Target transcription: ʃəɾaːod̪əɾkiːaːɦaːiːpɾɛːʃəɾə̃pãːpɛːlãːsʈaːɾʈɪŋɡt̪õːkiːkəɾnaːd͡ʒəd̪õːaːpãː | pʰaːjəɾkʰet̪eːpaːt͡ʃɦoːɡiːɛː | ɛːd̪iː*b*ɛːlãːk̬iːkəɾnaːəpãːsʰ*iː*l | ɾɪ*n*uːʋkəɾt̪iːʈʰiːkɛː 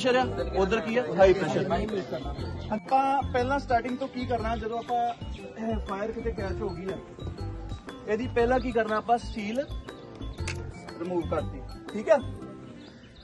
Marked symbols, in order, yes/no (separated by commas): no, yes, no